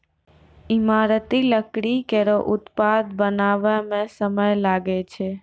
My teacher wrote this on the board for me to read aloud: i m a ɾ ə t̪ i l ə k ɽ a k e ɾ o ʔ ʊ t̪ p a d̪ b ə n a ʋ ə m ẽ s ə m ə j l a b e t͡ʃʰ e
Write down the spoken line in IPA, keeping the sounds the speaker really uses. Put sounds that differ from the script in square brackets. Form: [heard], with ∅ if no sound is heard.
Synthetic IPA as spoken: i m a ɾ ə t̪ i l ə k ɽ [i] k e ɾ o ʔ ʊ t̪ p a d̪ b ə n a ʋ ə m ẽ s ə m ə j l a [ɡ] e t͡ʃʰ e